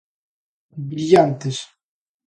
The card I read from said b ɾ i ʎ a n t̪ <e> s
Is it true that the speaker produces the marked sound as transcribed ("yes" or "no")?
yes